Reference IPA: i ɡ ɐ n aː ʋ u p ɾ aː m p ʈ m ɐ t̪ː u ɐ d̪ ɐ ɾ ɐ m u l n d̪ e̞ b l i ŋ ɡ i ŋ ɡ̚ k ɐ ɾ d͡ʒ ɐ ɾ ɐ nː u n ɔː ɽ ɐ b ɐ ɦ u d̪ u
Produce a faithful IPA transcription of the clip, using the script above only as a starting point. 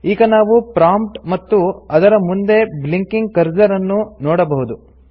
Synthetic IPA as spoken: iː ɡ ɐ n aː ʋ u p ɾ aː m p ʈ m ɐ t̪ː u ɐ d̪ ɐ ɾ ɐ m u n d̪ e̞ b l i ŋ k i ŋ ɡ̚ k ɐ ɾ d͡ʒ ɐ ɾ ɐ nː u n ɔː ɽ ɐ b ɐ ɦ u d̪ u

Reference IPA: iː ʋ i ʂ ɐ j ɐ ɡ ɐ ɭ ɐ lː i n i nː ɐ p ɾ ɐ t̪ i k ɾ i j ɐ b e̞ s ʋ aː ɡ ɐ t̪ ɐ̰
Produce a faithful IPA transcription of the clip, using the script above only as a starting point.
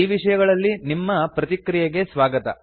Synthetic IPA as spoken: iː ʋ i ʂ ɐ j ɐ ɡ ɐ ɭ ɐ lː i n i mː ɐ p ɾ ɐ t̪ i k ɾ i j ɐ ɡ e̞ s ʋ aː ɡ ɐ t̪ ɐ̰

